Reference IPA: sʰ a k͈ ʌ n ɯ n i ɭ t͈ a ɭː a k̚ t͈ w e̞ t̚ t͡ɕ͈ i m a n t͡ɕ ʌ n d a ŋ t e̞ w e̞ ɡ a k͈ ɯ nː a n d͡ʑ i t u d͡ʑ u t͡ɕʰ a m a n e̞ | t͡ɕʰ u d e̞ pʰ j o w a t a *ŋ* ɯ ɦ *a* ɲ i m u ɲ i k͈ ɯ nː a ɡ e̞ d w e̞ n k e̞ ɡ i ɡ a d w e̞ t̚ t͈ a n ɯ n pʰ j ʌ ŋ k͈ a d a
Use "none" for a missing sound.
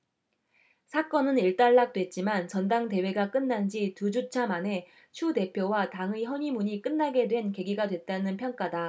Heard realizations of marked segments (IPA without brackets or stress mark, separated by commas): ŋ, ʌ